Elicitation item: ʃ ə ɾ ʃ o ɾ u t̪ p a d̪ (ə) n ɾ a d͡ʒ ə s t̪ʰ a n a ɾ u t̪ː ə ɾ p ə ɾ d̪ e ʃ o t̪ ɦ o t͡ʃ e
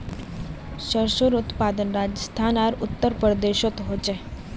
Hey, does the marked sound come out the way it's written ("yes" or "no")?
yes